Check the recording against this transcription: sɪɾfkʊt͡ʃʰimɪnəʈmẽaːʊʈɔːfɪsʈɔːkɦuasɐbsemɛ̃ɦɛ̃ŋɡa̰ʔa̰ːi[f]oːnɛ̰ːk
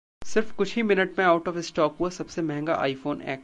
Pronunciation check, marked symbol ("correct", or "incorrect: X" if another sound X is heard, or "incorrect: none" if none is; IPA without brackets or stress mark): correct